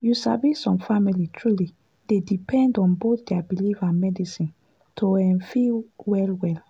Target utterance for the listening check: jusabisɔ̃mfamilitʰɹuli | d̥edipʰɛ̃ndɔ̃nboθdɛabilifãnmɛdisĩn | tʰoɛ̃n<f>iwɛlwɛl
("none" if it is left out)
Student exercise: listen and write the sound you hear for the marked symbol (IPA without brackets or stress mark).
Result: f